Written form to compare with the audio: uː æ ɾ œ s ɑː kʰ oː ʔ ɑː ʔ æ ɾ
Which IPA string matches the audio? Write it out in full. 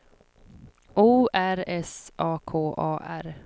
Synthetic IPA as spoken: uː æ ɾ ɛ s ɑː kʰ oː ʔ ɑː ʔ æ ɾ